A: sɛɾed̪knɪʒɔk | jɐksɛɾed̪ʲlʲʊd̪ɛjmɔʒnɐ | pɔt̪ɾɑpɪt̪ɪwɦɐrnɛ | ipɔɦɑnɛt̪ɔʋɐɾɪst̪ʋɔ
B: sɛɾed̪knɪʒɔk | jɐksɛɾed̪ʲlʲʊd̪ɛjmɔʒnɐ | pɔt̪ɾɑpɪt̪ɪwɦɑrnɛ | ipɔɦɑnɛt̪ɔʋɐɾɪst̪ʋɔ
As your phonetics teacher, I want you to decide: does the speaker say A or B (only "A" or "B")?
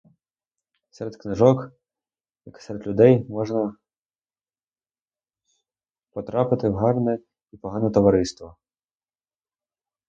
B